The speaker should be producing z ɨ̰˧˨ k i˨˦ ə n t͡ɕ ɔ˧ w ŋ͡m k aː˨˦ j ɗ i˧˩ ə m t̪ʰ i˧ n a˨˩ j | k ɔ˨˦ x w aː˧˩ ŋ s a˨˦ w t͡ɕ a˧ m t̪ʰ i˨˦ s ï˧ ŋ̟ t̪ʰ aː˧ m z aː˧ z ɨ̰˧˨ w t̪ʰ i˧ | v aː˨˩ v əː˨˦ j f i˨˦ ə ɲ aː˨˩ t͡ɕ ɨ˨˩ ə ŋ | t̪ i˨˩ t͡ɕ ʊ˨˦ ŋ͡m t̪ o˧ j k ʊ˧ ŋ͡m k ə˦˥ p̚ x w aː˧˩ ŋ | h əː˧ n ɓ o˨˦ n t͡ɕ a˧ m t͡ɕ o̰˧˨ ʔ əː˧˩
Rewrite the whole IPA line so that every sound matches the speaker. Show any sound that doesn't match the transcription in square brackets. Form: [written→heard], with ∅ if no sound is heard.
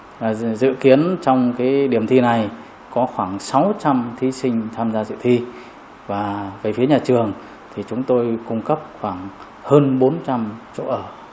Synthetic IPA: z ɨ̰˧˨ k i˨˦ ə n t͡ɕ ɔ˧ w ŋ͡m k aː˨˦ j ɗ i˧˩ ə m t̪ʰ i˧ n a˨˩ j | k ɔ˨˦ x w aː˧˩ ŋ s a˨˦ w t͡ɕ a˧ m t̪ʰ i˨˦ s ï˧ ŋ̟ t̪ʰ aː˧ m z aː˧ z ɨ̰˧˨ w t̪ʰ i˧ | v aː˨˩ v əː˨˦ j f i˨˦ ə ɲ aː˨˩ t͡ɕ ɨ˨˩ ə ŋ | [t̪→t̪ʰ] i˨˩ t͡ɕ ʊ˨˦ ŋ͡m t̪ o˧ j k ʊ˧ ŋ͡m k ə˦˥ p̚ x w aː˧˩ ŋ | h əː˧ n ɓ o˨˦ n t͡ɕ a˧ m t͡ɕ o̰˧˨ ʔ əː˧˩